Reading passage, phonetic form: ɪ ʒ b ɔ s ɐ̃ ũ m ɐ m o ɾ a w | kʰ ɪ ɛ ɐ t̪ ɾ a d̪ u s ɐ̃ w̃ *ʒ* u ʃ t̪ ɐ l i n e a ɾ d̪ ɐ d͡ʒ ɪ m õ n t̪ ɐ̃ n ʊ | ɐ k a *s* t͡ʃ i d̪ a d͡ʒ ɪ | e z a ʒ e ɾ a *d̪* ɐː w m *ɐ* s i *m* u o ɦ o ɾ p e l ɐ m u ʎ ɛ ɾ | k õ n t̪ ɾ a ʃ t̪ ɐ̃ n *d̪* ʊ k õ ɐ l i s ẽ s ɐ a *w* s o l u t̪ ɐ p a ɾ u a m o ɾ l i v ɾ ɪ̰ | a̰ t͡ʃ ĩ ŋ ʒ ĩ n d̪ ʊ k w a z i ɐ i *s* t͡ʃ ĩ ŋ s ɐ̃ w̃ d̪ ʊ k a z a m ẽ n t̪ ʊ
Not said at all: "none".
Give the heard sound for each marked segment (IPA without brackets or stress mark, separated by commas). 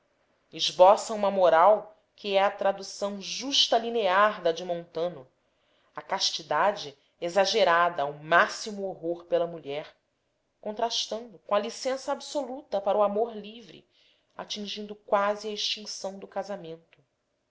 ʒ, ʃ, d̪, a, m, d̪, b, ʃ